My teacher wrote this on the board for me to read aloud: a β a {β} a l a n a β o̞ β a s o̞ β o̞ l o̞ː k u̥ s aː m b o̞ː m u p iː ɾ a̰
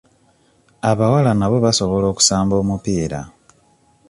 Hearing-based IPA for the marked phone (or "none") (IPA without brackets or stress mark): w